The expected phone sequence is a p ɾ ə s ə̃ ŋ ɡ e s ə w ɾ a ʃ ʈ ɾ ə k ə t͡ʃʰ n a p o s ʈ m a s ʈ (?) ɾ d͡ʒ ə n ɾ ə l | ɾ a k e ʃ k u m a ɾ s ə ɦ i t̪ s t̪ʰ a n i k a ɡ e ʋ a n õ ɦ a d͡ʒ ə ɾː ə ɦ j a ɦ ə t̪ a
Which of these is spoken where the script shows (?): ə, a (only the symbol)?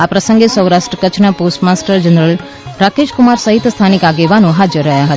ə